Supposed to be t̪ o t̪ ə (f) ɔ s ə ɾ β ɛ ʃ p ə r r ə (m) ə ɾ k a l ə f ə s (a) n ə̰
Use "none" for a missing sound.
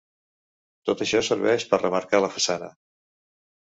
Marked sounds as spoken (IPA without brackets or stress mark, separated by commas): ʃ, m, a